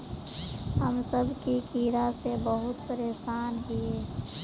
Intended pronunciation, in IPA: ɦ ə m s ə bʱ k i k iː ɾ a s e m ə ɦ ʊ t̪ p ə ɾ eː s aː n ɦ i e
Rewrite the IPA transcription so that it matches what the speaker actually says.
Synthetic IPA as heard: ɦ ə m s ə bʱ k i k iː ɾ a s e b ə ɦ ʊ t̪ p ə ɾ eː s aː n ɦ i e